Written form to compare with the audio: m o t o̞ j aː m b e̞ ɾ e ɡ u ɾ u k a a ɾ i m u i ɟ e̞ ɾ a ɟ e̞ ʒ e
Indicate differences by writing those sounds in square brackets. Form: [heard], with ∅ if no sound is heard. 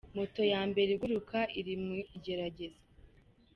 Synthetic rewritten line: m o t o̞ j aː m b e̞ ɾ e ɡ u ɾ u k a [i] ɾ i m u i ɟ e̞ ɾ a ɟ e̞ [z] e